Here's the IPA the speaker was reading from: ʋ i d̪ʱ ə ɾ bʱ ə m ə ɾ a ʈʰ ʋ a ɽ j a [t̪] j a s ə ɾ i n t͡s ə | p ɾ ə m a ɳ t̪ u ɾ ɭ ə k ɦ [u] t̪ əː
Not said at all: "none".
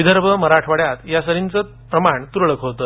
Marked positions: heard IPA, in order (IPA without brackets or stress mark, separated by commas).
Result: t̪, o